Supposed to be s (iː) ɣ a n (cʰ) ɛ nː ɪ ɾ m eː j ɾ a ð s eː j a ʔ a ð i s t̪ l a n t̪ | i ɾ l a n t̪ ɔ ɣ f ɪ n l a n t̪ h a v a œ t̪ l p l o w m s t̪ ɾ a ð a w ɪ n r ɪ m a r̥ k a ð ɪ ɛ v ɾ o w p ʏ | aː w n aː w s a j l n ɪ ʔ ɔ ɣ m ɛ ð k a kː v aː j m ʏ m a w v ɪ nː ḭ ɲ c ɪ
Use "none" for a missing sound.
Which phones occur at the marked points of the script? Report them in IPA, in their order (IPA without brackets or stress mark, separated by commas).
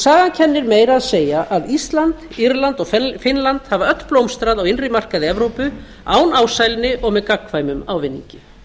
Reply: aː, cʰ